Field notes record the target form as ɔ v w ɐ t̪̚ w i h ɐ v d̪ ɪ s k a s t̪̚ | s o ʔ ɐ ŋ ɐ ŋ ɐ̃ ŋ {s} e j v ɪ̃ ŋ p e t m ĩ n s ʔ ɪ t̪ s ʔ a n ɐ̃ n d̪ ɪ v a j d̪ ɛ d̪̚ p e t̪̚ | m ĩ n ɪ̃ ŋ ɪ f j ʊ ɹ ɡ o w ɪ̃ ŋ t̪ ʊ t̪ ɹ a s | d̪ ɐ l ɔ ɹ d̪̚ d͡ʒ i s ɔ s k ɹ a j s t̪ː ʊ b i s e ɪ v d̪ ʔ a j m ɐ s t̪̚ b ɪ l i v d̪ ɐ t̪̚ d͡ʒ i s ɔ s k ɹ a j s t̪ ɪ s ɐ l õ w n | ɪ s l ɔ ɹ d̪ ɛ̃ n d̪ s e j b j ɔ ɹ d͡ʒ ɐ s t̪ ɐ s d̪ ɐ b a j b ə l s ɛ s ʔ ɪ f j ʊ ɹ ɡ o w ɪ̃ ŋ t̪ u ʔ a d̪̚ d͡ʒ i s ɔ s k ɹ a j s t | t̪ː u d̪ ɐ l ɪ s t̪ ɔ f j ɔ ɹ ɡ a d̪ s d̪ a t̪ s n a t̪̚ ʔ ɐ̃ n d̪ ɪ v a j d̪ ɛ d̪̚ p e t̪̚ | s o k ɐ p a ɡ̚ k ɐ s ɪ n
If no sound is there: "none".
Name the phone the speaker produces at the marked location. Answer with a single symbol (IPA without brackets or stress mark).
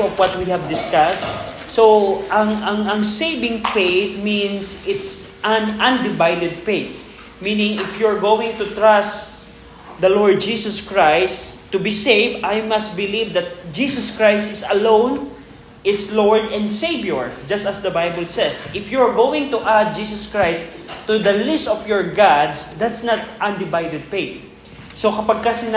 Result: s